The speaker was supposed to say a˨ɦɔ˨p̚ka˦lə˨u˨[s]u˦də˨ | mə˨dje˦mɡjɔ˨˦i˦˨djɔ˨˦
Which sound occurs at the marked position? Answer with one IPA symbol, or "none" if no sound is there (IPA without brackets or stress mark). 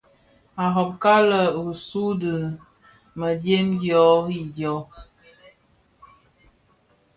s